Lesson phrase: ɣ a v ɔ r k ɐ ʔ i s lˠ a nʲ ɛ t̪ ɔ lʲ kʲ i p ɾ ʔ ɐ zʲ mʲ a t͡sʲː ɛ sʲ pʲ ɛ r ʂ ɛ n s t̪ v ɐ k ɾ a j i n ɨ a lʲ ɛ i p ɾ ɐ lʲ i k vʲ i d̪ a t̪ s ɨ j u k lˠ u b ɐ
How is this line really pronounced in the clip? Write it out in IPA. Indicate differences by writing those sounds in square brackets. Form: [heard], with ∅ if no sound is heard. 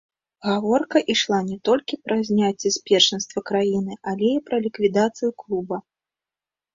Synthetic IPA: ɣ a v ɔ r k ɐ ʔ i [ʂ] lˠ a nʲ ɛ t̪ ɔ lʲ kʲ i p ɾ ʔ ɐ zʲ [nʲ] a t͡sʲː ɛ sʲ pʲ ɛ r ʂ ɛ n s t̪ v ɐ k ɾ a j i n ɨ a lʲ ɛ i p ɾ ɐ lʲ i k vʲ i d̪ a t̪ s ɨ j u k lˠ u b ɐ